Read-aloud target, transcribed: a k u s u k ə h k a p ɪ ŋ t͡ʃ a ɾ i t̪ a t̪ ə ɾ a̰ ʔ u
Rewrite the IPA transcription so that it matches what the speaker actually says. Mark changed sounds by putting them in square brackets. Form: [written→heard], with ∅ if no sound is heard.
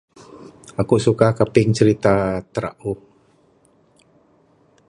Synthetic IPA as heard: a k u s u k [ə→a] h k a p ɪ ŋ t͡ʃ [a→ə] ɾ i t̪ a t̪ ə ɾ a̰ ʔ u